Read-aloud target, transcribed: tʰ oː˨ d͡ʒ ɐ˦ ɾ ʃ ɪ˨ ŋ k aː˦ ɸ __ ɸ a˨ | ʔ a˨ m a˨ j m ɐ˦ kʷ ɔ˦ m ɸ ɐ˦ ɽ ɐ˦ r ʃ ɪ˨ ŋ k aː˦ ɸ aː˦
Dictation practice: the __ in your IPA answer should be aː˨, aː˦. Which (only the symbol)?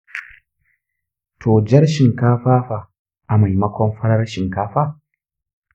aː˦